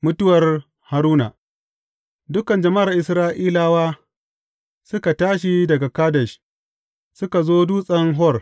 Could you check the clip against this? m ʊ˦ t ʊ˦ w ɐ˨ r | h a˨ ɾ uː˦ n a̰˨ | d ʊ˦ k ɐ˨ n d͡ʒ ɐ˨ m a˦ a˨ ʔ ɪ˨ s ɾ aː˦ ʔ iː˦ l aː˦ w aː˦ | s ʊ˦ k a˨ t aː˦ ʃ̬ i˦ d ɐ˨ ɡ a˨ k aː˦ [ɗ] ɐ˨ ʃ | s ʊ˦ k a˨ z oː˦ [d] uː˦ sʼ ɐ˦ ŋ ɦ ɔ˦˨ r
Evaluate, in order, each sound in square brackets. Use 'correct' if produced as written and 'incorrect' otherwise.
incorrect: d, correct

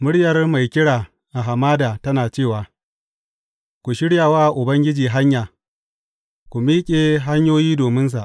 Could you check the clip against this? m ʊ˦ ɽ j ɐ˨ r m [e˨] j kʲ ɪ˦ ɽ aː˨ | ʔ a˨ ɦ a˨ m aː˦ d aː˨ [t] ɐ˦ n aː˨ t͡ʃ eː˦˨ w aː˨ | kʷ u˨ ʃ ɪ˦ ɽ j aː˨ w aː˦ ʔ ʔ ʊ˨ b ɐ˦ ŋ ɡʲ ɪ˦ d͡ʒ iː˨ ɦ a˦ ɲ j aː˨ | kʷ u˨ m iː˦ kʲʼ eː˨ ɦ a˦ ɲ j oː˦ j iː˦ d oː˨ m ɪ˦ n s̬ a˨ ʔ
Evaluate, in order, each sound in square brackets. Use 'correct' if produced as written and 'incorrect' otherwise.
incorrect: a˨, correct

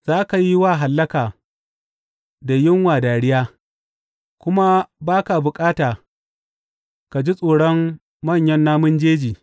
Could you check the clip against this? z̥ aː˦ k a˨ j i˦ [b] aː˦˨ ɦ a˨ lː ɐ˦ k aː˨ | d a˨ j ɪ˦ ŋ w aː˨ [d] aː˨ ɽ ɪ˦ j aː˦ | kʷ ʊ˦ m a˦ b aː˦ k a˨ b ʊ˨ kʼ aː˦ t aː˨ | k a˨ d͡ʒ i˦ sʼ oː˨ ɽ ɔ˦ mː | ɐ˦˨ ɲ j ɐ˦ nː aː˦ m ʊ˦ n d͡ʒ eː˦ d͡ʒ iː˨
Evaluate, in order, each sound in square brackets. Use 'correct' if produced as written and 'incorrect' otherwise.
incorrect: w, correct

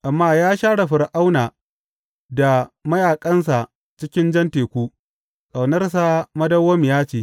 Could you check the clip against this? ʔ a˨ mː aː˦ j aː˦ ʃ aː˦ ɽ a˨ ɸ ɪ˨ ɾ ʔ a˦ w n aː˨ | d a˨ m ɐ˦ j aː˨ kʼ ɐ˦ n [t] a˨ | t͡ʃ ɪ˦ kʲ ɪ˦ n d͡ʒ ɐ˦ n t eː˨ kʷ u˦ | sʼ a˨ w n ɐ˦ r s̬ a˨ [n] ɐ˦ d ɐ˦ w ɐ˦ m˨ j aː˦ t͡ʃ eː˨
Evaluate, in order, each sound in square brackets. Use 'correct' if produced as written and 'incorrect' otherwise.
incorrect: s, incorrect: m

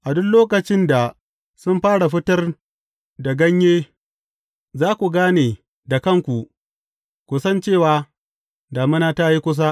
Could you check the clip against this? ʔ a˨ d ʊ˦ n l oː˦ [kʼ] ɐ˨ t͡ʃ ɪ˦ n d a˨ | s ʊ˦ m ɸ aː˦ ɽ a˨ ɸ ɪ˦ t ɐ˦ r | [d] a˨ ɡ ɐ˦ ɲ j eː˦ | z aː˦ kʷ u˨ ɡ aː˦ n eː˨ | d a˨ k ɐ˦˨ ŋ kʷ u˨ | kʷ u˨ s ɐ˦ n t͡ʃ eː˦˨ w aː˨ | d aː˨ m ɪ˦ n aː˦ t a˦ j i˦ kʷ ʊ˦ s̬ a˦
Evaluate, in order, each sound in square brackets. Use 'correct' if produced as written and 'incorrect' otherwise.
incorrect: k, correct

